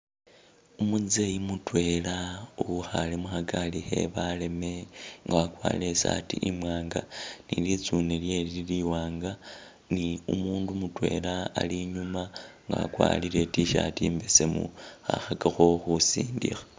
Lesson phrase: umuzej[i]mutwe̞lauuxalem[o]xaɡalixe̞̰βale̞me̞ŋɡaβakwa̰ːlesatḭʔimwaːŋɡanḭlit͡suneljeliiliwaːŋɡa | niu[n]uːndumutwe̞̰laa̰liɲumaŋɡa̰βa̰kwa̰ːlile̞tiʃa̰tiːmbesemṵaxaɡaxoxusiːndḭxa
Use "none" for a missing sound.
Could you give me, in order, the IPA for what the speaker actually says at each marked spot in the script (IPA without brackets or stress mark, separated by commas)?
i, u, m